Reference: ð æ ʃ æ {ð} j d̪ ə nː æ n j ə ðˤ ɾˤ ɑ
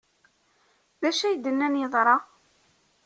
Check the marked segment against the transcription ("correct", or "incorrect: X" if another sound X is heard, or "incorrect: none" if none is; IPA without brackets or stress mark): incorrect: none